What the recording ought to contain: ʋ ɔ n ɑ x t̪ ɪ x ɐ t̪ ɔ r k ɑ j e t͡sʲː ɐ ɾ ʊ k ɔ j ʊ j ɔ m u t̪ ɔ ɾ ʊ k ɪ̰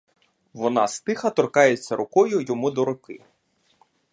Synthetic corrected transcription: ʋ ɔ n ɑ s t̪ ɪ x ɐ t̪ ɔ r k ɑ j e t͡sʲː ɐ ɾ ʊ k ɔ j ʊ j ɔ m u d̪ ɔ ɾ ʊ k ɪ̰